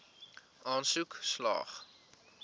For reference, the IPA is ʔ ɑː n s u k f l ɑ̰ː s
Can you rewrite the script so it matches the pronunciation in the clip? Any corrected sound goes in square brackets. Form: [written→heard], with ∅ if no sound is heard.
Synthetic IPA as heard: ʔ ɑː n s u k [f→s] l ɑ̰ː [s→χ]